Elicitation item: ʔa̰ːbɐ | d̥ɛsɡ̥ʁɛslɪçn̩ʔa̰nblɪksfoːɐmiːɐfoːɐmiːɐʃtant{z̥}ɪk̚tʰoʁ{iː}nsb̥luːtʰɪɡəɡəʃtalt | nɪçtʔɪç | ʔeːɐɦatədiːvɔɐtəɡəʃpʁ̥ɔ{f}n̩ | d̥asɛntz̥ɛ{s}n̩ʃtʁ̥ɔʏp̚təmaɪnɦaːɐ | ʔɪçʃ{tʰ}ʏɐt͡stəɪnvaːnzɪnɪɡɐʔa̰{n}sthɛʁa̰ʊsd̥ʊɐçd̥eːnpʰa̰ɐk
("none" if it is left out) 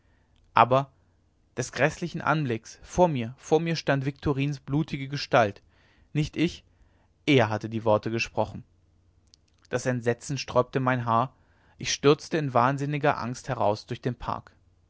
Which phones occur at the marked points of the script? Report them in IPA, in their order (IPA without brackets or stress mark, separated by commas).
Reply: v̥, iː, χ, t͡s, t, ŋ